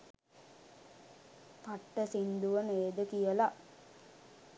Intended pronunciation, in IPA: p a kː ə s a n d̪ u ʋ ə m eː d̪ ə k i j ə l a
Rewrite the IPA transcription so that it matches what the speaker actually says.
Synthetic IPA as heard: p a ʈː ə s i n d̪ u ʋ ə n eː d̪ ə k i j ə l a